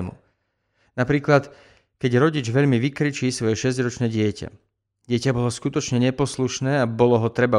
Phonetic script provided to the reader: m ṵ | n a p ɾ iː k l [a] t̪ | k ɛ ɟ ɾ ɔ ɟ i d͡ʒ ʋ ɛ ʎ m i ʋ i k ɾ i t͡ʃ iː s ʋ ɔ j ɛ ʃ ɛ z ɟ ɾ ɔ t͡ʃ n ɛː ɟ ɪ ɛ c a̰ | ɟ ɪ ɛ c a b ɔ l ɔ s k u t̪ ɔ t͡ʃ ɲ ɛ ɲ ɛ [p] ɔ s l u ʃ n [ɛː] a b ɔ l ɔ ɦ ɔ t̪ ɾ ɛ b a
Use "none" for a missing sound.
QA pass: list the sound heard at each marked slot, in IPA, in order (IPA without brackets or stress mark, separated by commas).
a, p, ɛː